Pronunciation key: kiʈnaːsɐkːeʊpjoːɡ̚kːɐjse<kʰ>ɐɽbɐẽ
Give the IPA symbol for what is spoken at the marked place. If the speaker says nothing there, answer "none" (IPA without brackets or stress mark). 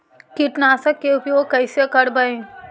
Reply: k